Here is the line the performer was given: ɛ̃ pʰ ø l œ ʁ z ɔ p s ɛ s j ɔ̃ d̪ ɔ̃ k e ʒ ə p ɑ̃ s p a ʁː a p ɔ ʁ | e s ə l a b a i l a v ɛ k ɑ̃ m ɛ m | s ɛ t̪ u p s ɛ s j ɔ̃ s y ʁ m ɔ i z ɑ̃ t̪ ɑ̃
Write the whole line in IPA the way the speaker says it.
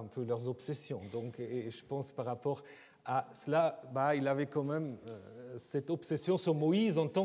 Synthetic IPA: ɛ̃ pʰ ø l œ ʁ z ɔ p s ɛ s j ɔ̃ d̪ ɔ̃ k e ʒ ə p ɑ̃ s p a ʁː a p ɔ ʁ | a s ə l a b a i l a v ɛ k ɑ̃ m ɛ m | s ɛ t̪ ɔ p s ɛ s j ɔ̃ s y ʁ m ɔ i z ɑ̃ t̪ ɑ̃